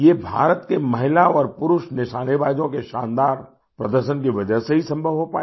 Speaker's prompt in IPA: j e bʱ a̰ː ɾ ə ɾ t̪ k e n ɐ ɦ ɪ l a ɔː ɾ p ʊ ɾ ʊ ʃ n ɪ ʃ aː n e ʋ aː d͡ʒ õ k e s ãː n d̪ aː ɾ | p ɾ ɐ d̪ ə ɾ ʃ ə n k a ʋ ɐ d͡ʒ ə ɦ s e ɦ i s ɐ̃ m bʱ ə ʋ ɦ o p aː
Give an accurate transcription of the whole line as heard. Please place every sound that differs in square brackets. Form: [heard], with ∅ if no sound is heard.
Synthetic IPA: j e bʱ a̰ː ɾ ə [∅] t̪ k e [m] ɐ ɦ ɪ l a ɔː ɾ p ʊ ɾ ʊ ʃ n ɪ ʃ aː n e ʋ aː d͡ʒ õ k e [ʃ] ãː n d̪ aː ɾ | p ɾ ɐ d̪ ə ɾ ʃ ə n k [i] ʋ ɐ d͡ʒ ə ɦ s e ɦ i s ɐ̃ m bʱ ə ʋ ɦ o p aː